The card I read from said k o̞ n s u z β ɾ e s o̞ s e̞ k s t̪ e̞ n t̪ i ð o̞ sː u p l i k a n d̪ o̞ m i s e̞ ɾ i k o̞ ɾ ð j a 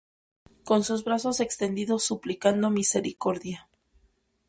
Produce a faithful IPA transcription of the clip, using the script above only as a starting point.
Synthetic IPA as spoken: k o̞ n s u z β ɾ a s o̞ s e̞ k s t̪ e̞ n d̪ i ð o̞ sː u p l i k a n d̪ o̞ m i s e̞ ɾ i k o̞ ɾ ð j a